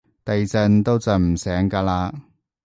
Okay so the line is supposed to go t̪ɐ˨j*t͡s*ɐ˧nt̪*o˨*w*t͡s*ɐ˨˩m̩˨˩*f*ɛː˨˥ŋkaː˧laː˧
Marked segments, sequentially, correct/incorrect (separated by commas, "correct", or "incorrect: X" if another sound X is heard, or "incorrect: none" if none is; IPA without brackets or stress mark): correct, incorrect: o˥, correct, incorrect: s